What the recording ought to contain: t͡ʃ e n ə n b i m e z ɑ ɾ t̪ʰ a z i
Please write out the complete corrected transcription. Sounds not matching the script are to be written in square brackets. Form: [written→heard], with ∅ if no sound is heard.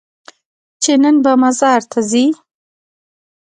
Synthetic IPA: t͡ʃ e n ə n b [i→a] m [e→a] z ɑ ɾ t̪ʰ a z i